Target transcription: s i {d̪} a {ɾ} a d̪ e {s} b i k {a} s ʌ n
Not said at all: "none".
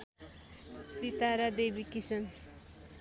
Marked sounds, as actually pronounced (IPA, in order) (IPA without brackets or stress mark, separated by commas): t̪, ɾ, none, i